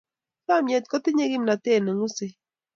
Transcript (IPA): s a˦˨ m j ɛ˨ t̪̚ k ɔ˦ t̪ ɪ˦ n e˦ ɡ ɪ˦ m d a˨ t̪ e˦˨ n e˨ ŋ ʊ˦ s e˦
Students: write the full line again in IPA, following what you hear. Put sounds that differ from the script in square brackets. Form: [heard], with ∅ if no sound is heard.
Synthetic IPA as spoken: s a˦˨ m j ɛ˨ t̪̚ k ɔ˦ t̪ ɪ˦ [ɲ] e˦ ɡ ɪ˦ m [n] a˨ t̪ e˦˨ n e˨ ŋ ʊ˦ s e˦